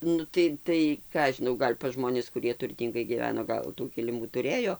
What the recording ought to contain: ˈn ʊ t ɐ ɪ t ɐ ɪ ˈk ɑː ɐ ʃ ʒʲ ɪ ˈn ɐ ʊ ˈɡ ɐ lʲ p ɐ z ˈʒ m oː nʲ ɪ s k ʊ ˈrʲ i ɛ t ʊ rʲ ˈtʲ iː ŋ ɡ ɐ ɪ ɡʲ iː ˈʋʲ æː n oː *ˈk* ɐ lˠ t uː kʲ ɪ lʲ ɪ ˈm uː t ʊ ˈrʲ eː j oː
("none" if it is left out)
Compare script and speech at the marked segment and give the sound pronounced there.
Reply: ɡ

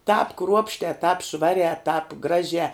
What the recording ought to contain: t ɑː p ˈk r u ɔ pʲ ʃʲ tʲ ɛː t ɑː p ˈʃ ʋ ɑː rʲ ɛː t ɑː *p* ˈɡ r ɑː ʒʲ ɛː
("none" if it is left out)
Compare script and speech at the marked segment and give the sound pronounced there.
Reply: p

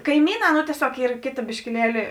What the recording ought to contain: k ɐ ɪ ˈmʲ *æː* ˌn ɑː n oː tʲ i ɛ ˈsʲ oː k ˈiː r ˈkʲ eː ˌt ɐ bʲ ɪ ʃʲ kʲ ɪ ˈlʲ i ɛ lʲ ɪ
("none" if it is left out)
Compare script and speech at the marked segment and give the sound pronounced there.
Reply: iː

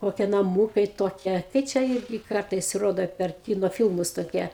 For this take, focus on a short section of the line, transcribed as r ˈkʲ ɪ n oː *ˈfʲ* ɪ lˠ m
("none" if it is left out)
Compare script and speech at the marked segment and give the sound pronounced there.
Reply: fʲ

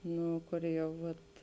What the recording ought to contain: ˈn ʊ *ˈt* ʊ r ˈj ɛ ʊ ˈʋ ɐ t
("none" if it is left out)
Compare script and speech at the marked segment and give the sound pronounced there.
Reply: k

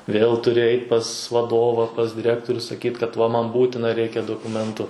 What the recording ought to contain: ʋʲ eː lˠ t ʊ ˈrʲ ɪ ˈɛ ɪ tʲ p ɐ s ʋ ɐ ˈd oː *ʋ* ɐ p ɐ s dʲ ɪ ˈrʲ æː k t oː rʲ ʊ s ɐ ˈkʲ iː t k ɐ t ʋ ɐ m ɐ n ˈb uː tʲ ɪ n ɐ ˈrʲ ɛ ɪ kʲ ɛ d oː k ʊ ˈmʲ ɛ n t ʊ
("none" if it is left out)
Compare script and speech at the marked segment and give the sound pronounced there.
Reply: ʋ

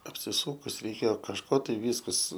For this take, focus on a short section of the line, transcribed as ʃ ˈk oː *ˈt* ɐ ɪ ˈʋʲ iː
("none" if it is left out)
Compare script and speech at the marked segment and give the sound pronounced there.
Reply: t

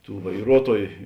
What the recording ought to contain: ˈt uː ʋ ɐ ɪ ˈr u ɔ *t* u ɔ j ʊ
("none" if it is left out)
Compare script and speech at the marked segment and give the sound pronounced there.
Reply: t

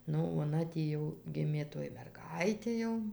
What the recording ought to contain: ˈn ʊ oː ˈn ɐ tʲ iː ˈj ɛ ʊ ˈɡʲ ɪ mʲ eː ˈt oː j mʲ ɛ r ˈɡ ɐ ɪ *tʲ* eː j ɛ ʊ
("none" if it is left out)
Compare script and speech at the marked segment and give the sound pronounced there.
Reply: tʲ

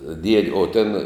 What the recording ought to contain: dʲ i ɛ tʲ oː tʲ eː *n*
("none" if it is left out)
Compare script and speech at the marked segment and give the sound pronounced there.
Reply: n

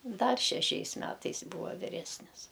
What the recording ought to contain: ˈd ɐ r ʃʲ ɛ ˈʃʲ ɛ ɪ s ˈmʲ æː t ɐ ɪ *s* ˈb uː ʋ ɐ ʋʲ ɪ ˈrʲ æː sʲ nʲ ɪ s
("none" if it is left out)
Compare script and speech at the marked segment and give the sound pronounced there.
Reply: s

